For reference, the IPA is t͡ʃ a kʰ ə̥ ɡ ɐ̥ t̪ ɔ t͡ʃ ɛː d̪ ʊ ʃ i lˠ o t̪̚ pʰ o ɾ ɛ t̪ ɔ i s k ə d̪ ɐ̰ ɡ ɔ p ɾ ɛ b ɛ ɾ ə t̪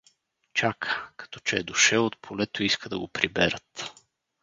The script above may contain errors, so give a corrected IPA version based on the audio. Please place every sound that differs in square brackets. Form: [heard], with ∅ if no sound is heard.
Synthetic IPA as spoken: t͡ʃ a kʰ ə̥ [k] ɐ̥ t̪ ɔ t͡ʃ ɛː d̪ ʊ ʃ [ɛ] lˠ o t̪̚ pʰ o [l] ɛ t̪ [o] i s k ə d̪ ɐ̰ ɡ [o] p ɾ [i] b ɛ ɾ ə t̪